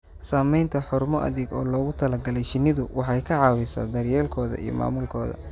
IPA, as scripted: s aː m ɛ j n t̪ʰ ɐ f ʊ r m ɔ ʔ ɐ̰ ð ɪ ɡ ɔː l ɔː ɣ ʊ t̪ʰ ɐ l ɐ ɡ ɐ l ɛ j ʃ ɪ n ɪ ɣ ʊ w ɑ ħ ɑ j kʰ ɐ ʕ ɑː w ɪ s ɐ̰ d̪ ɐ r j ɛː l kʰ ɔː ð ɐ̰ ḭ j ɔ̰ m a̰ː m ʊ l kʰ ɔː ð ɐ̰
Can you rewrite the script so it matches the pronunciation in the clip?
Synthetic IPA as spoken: s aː m ɛ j n t̪ʰ ɐ ħ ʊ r m ɔ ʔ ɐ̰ ð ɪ ɡ ɔː l ɔː ɣ ʊ t̪ʰ ɐ l ɐ ɡ ɐ l ɛ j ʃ ɪ n ɪ ð ʊ w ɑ ħ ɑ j kʰ ɐ ʕ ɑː w ɪ s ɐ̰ d̪ ɐ r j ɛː l kʰ ɔː ð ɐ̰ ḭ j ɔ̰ m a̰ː m ʊ l kʰ ɔː ð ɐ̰